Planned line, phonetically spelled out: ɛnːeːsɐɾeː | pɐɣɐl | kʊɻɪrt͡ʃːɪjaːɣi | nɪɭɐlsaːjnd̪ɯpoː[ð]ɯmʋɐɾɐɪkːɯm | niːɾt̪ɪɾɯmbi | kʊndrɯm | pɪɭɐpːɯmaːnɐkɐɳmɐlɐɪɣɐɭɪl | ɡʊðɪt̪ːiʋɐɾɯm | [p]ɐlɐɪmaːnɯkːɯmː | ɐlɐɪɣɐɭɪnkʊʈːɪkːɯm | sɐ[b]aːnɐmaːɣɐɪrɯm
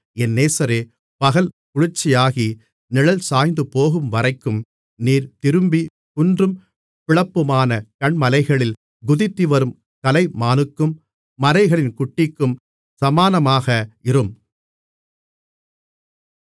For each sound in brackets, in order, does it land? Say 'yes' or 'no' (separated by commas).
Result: no, no, no